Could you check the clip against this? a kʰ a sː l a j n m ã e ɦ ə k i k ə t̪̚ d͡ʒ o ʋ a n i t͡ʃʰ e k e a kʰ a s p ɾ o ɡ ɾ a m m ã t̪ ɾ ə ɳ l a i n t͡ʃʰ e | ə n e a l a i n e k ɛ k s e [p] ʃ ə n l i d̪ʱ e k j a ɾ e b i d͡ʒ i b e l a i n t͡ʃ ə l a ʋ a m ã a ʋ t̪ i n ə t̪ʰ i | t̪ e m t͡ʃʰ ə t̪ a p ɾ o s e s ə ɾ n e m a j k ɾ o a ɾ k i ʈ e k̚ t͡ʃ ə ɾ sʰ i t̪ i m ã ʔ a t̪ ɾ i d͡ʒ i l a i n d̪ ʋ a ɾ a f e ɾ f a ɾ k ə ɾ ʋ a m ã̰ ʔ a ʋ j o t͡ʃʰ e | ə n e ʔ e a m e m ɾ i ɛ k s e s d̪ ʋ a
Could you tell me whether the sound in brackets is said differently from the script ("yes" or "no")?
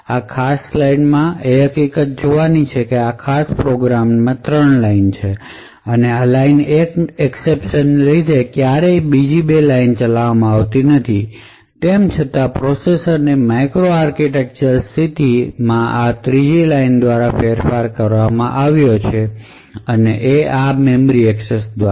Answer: no